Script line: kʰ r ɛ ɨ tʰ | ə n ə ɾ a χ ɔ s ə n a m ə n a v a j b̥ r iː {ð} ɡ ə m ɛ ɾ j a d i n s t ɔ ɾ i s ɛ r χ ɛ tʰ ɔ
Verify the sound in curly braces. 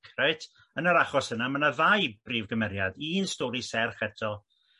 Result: incorrect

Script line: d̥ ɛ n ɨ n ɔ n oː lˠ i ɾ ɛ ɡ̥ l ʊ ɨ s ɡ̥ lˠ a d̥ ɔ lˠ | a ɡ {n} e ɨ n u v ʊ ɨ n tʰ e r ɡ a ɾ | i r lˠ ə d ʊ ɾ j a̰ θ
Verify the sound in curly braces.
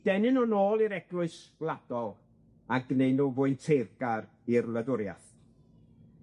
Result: correct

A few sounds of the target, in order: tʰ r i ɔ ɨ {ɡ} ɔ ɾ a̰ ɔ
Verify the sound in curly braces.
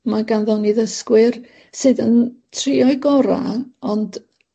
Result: correct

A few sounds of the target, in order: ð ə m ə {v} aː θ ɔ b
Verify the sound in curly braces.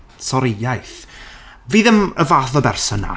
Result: correct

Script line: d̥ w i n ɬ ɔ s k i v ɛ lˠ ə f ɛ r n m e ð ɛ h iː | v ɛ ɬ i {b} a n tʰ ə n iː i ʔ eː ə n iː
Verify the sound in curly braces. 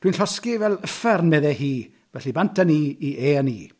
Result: correct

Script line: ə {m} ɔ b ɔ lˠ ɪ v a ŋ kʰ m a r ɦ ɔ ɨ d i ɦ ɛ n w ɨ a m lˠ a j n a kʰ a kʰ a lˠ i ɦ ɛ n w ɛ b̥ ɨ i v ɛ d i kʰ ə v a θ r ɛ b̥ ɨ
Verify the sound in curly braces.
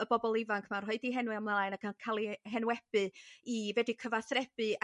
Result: incorrect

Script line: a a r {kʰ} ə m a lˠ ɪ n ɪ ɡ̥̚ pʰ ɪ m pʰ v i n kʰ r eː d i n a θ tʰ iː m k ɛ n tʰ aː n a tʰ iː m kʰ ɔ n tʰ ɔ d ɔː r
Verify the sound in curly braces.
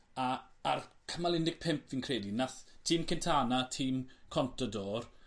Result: correct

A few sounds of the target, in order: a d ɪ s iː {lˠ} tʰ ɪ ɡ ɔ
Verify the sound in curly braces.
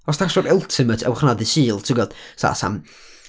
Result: correct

